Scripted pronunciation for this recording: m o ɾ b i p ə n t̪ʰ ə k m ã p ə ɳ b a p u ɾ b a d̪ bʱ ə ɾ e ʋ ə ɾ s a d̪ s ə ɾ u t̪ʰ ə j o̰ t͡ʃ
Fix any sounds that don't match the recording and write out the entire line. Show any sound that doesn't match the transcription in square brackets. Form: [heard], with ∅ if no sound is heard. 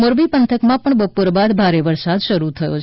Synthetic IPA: m o ɾ b i p ə n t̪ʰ ə k m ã p ə ɳ b [ə] p [o] ɾ b a d̪ bʱ [a] ɾ e ʋ ə ɾ s a d̪ [ʃ] ə ɾ u t̪ʰ ə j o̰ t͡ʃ